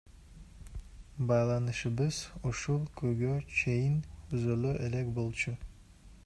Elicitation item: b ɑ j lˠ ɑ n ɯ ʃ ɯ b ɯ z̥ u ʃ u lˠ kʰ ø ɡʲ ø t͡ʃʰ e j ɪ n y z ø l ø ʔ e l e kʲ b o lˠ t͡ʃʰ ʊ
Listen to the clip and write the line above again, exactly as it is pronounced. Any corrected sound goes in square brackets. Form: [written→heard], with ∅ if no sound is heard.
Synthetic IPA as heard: b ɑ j lˠ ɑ n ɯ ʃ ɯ b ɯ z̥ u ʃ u lˠ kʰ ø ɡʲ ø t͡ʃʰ e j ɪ n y z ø l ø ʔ e l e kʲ b o lˠ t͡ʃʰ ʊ